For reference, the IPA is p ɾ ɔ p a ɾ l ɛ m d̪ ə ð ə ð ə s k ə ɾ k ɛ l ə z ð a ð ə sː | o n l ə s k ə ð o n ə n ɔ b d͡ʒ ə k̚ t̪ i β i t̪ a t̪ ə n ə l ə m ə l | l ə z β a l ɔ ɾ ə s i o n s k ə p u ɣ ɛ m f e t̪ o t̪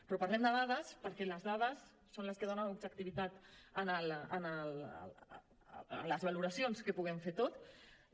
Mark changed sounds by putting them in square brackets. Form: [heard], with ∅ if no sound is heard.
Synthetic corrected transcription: p ɾ ɔ p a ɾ l ɛ m d̪ ə ð [a] ð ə s [p] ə ɾ k ɛ l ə z ð a ð ə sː | o n l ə s k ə ð o n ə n [u] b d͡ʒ ə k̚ t̪ i β i t̪ a t̪ ə n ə l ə [n] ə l | l ə z β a l [u] ɾ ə s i o n s k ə p u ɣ ɛ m f e t̪ o t̪